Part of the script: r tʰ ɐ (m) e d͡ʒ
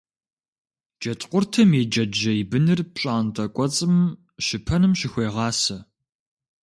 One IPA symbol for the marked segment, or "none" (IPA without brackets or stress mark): m